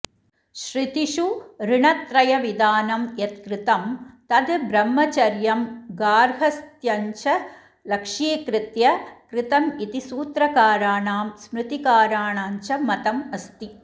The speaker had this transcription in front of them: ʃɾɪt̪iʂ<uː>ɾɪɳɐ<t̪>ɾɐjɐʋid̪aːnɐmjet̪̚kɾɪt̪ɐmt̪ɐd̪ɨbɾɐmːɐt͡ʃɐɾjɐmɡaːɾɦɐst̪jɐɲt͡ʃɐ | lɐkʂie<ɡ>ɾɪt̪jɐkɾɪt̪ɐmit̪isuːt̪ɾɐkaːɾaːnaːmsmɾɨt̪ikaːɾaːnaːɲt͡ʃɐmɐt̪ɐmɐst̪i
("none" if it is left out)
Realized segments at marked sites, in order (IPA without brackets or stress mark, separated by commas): u, t̪, k